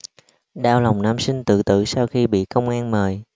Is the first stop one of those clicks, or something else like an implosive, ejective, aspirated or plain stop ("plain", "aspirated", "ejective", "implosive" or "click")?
implosive